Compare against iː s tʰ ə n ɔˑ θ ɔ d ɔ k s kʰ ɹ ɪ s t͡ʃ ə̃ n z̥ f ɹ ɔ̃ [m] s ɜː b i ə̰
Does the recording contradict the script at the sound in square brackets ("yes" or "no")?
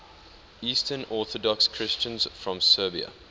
no